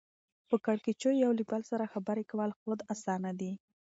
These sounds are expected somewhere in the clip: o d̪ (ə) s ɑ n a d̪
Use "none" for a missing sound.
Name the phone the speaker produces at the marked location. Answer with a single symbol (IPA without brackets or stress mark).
a